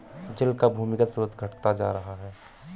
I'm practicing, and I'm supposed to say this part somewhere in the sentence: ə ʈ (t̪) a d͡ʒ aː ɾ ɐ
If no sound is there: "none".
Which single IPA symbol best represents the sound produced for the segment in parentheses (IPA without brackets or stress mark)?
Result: t̪